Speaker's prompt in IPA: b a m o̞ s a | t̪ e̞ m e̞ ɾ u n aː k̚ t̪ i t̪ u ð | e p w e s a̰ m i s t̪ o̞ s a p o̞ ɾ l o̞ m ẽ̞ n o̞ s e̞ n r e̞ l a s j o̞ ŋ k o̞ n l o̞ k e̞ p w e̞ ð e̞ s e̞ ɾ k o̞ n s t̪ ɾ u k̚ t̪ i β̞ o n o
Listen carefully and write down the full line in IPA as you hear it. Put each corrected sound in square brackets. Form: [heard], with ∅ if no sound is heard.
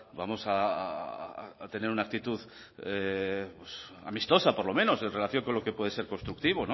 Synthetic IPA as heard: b a m o̞ s a | t̪ e̞ [n] e̞ ɾ u n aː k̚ t̪ i t̪ u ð | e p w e s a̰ m i s t̪ o̞ s a p o̞ ɾ l o̞ m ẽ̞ n o̞ s e̞ n r e̞ l a [θ] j o̞ ŋ k o̞ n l o̞ k e̞ p w e̞ ð e̞ s e̞ ɾ k o̞ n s t̪ ɾ u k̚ t̪ i β̞ o n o